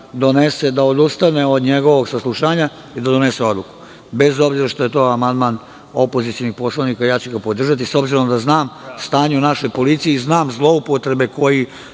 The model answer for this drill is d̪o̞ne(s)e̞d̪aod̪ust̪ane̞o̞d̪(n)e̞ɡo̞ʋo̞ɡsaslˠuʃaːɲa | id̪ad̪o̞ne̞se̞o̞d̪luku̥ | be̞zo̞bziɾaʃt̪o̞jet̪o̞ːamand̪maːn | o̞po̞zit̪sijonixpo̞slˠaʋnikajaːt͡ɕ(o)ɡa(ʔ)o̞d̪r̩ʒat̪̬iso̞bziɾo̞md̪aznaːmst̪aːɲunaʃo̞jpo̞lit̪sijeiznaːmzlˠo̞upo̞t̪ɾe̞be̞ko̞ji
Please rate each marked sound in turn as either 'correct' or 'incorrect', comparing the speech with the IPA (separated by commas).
correct, incorrect, incorrect, incorrect